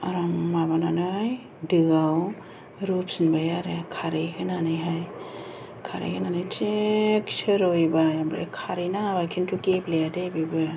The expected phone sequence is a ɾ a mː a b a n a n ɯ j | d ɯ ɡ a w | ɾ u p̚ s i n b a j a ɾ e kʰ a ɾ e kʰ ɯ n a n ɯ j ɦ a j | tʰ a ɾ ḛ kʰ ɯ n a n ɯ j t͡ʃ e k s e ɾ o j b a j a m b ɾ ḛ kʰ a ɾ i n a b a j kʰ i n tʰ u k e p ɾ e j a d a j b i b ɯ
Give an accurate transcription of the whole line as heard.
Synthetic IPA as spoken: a ɾ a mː a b a n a n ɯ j | d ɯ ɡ a w | ɾ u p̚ s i n b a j a ɾ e kʰ a ɾ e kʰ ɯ n a n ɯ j ɦ a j | kʰ a ɾ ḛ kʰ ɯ n a n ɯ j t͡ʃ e k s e ɾ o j b a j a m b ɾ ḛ kʰ a ɾ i n a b a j kʰ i n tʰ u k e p l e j a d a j b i b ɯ